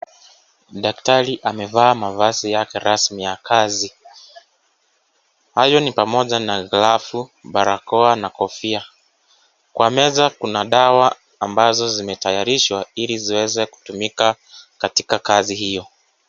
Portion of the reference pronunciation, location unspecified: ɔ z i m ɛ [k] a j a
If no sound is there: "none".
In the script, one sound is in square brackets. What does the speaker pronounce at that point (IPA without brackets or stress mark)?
t